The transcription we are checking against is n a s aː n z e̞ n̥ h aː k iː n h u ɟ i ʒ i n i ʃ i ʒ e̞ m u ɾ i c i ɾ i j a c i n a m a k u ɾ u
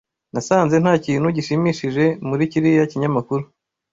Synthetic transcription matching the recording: n a s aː n z e̞ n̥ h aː c iː n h u ɟ i ʃ i m i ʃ i ʒ e̞ m u ɾ i c i ɾ i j a c i ɲ a m a k u ɾ u